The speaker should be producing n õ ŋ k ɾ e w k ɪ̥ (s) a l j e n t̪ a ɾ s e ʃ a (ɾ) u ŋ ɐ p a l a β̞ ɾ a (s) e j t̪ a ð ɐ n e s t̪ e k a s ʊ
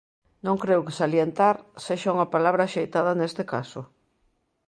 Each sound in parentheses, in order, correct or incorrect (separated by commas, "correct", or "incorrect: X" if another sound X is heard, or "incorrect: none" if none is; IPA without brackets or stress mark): correct, incorrect: none, incorrect: ʃ